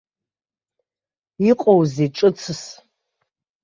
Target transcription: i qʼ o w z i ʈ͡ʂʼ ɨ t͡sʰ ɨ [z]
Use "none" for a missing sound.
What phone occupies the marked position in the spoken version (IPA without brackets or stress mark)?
s